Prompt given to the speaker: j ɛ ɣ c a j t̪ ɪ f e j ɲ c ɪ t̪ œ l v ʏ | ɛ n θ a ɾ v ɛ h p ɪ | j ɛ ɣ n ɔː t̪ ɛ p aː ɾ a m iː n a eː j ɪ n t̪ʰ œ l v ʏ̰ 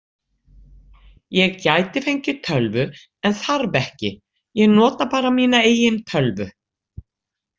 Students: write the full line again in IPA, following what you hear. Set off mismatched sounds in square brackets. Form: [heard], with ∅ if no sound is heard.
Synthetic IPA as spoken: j ɛ ɣ c a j t̪ ɪ f e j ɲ c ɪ [t̪ʰ] œ l v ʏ | ɛ n θ a ɾ v ɛ h [c] ɪ | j ɛ ɣ n ɔː t̪ [a] p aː ɾ a m iː n a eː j ɪ n t̪ʰ œ l v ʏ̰